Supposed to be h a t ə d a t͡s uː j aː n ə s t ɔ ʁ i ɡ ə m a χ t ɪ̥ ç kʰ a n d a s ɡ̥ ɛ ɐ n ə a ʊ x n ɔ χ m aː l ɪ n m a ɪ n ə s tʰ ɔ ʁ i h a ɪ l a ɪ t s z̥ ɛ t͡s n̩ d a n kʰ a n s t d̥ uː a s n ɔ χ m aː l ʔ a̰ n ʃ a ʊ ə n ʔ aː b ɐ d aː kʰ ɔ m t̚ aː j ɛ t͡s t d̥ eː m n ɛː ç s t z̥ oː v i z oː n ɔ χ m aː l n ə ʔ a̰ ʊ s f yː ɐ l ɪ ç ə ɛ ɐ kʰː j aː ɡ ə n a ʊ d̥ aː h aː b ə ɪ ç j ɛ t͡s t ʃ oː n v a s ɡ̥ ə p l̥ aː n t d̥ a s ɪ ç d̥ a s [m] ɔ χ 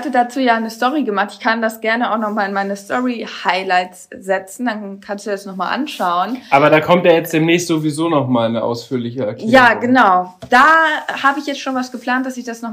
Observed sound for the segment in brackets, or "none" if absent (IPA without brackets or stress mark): n